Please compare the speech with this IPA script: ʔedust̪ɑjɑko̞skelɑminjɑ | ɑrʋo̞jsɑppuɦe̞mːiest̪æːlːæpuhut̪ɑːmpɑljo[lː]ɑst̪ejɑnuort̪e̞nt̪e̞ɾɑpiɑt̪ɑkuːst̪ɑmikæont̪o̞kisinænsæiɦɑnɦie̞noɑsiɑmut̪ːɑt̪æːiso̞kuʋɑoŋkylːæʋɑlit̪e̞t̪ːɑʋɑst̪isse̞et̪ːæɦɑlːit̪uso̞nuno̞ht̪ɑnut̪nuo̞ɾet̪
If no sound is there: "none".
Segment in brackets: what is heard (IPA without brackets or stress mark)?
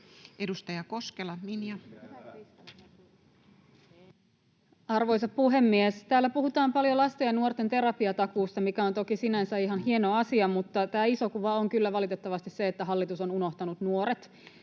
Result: l